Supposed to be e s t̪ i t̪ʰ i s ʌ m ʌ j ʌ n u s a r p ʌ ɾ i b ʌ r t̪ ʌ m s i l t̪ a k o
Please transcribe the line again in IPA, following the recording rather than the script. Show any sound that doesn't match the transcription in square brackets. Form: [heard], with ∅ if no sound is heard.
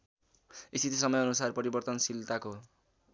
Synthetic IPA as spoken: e s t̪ i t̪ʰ i s ʌ m ʌ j ʌ n u s a r p ʌ ɾ i b ʌ r t̪ ʌ [n] s i l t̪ a k o